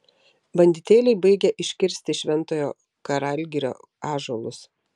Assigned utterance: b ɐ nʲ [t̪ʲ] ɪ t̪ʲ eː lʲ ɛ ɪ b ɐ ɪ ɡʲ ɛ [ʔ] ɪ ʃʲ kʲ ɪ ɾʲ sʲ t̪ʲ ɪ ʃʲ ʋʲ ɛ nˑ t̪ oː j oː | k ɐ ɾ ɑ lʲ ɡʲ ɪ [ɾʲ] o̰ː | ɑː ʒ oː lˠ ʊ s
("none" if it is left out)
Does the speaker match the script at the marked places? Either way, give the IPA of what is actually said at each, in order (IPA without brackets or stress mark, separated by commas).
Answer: d̪ʲ, ʔ, ɾʲ